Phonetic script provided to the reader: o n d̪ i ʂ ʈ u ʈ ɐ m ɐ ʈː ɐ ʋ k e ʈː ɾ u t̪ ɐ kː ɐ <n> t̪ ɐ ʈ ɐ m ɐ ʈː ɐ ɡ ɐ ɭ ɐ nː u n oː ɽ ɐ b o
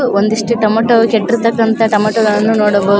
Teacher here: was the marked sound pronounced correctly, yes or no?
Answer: yes